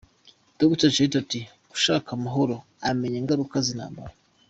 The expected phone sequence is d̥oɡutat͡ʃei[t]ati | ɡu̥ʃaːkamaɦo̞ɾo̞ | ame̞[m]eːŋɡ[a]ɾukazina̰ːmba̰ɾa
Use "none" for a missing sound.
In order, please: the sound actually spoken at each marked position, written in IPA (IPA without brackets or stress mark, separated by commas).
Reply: t, ɲ, a